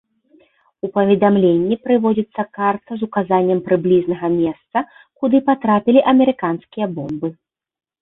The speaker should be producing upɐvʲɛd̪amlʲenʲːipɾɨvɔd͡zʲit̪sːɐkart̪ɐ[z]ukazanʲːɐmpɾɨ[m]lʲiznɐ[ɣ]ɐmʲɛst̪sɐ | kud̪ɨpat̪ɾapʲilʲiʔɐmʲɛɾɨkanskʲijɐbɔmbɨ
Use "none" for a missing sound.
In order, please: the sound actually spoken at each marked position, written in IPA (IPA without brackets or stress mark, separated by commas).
z, b, ɣ